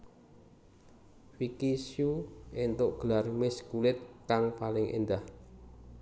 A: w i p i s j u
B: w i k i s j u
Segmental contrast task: B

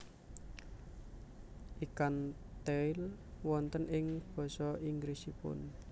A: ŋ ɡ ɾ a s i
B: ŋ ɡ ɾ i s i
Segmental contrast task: B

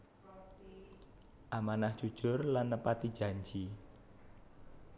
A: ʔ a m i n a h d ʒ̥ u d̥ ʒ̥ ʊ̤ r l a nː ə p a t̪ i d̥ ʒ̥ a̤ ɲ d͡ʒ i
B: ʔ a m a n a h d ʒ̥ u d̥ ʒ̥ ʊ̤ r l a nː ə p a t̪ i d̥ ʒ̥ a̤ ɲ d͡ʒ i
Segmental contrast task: B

